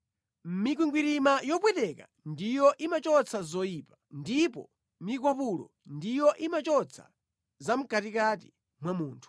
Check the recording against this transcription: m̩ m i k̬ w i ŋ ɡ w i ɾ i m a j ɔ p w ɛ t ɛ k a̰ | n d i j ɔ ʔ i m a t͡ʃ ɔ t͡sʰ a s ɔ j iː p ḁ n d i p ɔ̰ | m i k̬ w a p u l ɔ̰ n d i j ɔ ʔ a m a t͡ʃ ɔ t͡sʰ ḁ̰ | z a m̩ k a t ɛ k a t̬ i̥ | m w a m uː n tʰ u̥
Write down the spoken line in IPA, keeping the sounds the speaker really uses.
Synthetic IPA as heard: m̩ m i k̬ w i ŋ ɡ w i ɾ i m a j ɔ p w ɛ t ɛ k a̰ | n d i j ɔ ʔ i m a t͡ʃ ɔ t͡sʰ a z ɔ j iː p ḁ n d i p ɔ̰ | m i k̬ w a p u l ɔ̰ n d i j ɔ ʔ i m a t͡ʃ ɔ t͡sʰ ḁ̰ | z a m̩ k a t i k a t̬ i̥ | m w a m uː n tʰ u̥